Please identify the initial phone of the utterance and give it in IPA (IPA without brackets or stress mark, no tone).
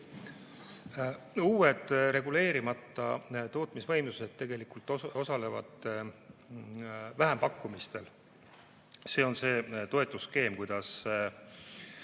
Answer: uː